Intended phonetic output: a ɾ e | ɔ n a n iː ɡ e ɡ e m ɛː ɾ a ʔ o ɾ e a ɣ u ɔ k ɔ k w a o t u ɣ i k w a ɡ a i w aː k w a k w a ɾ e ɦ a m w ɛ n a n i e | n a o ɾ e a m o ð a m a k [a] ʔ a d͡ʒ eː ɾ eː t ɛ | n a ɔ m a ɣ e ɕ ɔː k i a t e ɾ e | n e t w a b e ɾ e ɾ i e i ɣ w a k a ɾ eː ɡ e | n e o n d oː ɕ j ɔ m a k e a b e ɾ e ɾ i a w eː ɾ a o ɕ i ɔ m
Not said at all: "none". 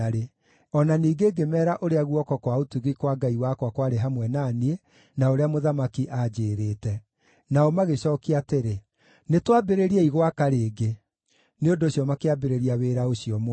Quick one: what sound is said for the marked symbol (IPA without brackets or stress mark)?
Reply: i